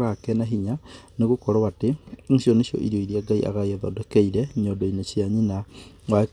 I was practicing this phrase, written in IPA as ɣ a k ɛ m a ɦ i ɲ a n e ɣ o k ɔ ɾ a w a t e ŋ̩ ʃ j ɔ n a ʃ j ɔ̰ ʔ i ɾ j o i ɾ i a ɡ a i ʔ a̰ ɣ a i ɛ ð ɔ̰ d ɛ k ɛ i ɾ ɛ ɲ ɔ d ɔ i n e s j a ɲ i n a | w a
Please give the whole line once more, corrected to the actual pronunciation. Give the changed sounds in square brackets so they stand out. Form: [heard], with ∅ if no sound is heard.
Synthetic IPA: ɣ a k ɛ [n] a ɦ i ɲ a n e ɣ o k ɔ ɾ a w a t e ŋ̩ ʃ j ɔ n [e] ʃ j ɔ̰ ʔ i ɾ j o i ɾ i a ɡ a i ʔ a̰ ɣ a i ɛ ð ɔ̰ d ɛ k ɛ i ɾ ɛ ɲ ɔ d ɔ i n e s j a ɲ i n a | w a

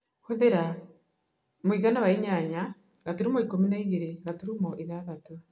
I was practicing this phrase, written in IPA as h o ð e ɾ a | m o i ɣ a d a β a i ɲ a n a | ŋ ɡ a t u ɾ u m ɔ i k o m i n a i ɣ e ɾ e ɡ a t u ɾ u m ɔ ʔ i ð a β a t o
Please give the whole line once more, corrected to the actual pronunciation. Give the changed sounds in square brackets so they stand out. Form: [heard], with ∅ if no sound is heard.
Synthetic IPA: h o ð e ɾ a | m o i ɣ a [n] a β a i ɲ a [ɲ] a | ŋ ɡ a t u ɾ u m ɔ i k o m i n a i ɣ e ɾ e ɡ a t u ɾ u m ɔ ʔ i ð a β a t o

